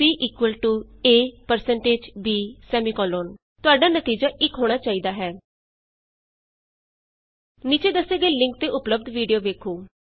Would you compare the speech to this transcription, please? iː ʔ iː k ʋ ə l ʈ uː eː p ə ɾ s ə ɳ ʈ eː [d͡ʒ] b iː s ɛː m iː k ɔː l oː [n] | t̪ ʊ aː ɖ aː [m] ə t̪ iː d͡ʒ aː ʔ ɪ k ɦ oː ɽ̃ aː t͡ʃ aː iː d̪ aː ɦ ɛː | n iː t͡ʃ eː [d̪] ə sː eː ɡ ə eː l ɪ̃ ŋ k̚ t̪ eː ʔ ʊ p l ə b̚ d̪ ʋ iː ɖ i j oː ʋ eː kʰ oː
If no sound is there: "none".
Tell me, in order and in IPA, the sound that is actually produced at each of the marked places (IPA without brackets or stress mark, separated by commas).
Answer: d͡ʒ, n, n, d̪